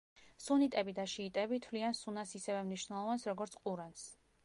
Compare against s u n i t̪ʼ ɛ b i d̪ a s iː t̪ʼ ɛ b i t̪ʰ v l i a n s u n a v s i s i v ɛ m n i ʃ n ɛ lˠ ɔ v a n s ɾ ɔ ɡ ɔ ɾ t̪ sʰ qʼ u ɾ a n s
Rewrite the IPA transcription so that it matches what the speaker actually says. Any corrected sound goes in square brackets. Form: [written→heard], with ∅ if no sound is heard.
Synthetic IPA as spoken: s u n i t̪ʼ ɛ b i d̪ a [s→ʃ] iː t̪ʼ ɛ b i t̪ʰ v l i a n s u n a [v→∅] s i s [i→ɛ] v ɛ m n i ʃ n ɛ lˠ ɔ v a n s ɾ ɔ ɡ ɔ ɾ t̪ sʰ qʼ u ɾ a n s